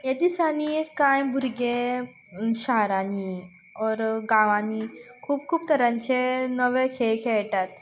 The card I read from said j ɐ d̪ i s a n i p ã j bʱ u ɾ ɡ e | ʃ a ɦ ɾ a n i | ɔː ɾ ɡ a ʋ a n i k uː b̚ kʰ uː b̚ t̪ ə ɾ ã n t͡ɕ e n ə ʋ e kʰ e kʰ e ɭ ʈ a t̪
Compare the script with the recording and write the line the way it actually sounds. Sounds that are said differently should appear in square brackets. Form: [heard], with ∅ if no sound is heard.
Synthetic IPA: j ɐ d̪ i s a n i [k] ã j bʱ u ɾ ɡ e | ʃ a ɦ ɾ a n i | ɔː ɾ ɡ a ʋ a n i [kʰ] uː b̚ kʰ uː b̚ t̪ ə ɾ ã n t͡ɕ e n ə ʋ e kʰ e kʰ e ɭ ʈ a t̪